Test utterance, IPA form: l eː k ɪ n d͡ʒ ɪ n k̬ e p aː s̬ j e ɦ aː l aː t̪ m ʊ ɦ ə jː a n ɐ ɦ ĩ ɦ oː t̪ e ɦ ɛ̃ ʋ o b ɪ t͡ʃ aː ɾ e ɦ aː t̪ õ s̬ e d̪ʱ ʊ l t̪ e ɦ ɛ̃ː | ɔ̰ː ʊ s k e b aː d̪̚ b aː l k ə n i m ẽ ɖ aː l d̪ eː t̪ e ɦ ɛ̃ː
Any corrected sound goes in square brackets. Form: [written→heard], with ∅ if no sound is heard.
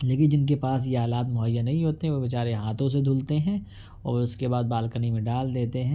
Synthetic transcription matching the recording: l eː k ɪ n d͡ʒ ɪ n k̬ e p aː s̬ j e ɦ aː l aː t̪ m ʊ ɦ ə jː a n ɐ ɦ ĩ ɦ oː t̪ e ɦ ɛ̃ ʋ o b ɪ t͡ʃ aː ɾ e ɦ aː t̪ õ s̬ e d̪ʱ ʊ l t̪ e ɦ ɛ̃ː | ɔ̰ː ʊ s k e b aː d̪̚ b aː l k ə n i m ẽ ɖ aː l d̪ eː t̪ e ɦ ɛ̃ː

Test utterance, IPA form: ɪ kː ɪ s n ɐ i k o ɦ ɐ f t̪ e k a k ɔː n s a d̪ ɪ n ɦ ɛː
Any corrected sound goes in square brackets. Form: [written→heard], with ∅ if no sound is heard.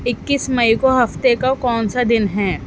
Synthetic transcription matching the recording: ɪ kː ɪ s [n→m] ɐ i k o ɦ ɐ f t̪ e k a k ɔː n s a d̪ ɪ n ɦ ɛː

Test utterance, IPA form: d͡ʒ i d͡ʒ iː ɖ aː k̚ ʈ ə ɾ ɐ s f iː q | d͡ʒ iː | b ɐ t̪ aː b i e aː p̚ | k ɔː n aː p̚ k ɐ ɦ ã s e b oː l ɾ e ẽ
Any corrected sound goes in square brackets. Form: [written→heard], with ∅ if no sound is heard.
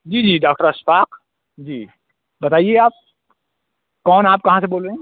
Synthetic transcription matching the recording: d͡ʒ [i→iː] d͡ʒ iː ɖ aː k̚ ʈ ə ɾ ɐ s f [iː→aː] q | d͡ʒ iː | b ɐ t̪ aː [b→∅] i e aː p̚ | k ɔː n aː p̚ k ɐ ɦ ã s e b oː l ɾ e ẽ

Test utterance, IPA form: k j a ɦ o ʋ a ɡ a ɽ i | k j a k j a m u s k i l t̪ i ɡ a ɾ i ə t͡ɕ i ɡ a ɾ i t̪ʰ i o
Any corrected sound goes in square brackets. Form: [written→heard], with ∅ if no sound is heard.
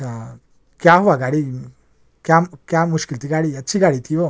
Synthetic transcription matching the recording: k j a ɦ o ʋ a ɡ a ɽ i | k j a k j a m u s k i l t̪ i ɡ a [ɾ→ɽ] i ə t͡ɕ i ɡ a [ɾ→ɽ] i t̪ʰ i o

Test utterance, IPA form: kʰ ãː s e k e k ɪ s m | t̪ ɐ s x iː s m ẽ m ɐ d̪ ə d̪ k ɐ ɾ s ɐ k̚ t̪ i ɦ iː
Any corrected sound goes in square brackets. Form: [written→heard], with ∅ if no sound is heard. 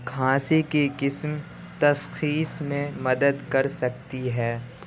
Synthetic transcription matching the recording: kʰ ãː s e k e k ɪ s m | t̪ ɐ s x iː s m ẽ m ɐ d̪ ə d̪ k ɐ ɾ s ɐ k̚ t̪ i ɦ [iː→ɛː]

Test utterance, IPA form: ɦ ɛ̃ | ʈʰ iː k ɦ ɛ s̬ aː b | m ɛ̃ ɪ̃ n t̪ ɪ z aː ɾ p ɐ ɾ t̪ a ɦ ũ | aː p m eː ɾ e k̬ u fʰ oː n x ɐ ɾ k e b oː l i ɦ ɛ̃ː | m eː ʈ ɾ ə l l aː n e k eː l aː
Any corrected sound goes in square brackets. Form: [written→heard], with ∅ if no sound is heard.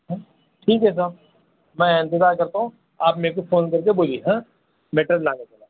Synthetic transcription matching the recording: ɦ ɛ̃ | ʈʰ iː k ɦ ɛ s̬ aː b | m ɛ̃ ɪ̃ n t̪ ɪ z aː ɾ [p→k] ɐ ɾ t̪ a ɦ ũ | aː p m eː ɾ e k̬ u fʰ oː n [x→k] ɐ ɾ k e b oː l i ɦ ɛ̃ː | m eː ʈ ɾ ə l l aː n e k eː l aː

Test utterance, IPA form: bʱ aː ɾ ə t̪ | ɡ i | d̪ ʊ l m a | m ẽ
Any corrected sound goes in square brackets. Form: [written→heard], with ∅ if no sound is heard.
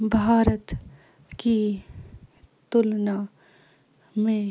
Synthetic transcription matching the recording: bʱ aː ɾ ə t̪ | [ɡ→k] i | [d̪→t̪] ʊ l [m→n] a | m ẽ

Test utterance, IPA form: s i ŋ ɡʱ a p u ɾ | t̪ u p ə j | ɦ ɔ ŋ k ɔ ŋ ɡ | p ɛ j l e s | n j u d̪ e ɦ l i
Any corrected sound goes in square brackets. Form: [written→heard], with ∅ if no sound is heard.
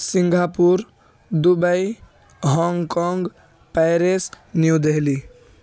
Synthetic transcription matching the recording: s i ŋ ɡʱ a p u ɾ | [t̪→d̪] u [p→b] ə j | ɦ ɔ ŋ k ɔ ŋ ɡ | p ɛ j [l→ɾ] e s | n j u d̪ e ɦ l i

